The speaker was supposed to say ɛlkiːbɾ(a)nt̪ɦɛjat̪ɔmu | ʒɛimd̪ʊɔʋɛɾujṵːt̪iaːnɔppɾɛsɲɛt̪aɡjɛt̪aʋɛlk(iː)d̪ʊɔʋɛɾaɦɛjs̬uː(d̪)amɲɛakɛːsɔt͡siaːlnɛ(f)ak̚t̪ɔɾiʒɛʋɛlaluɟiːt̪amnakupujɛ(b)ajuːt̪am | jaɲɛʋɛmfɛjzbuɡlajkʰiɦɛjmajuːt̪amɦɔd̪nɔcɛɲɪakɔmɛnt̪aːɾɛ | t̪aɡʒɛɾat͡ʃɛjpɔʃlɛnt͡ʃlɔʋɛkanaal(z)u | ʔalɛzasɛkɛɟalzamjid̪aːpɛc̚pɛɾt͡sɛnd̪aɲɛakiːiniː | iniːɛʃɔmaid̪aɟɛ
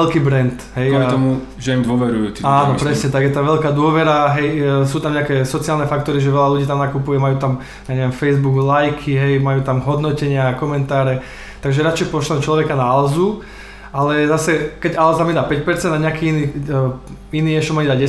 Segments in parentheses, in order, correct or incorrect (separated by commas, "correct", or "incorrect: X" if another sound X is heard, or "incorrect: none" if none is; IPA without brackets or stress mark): incorrect: ɛ, incorrect: aː, incorrect: t̪, correct, incorrect: m, correct